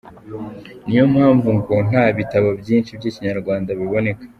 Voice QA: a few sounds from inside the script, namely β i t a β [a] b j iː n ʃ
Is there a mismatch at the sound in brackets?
no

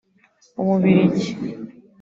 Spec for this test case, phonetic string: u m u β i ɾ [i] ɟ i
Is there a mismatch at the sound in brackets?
no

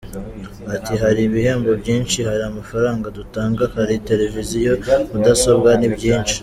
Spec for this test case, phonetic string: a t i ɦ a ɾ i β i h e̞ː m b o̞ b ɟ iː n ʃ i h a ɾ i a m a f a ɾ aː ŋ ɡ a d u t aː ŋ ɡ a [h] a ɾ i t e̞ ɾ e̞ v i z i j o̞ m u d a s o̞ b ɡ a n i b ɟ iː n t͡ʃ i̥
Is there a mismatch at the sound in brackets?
no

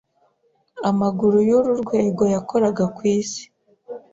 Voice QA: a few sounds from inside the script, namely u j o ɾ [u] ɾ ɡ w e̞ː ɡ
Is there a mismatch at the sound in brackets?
no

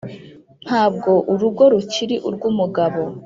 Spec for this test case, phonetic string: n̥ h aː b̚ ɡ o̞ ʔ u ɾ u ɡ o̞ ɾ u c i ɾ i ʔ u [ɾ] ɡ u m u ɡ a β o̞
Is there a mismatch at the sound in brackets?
no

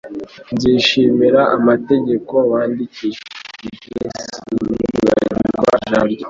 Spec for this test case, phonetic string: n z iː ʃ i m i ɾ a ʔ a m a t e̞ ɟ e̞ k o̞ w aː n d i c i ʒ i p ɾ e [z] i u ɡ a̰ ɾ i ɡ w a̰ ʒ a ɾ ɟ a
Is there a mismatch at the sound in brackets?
yes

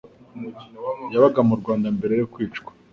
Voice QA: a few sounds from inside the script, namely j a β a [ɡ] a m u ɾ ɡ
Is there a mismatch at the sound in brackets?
no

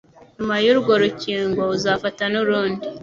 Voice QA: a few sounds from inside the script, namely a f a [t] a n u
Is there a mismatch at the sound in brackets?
no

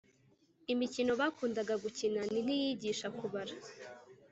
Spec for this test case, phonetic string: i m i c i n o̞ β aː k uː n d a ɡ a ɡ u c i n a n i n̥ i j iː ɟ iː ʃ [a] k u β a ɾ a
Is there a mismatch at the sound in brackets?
no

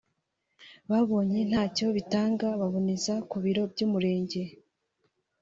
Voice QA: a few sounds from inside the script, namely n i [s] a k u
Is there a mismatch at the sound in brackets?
yes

